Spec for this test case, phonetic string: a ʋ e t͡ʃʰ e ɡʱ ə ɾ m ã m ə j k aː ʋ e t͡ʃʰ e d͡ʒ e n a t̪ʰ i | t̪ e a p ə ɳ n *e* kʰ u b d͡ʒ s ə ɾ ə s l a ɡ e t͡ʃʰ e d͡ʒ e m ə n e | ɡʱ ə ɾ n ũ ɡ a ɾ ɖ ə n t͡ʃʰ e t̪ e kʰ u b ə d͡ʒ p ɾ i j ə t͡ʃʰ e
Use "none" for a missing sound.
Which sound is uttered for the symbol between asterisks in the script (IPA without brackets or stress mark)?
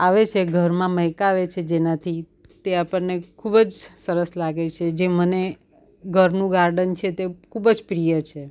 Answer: e